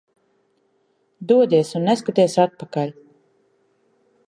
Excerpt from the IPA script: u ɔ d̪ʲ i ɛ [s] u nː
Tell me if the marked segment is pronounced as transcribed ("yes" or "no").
yes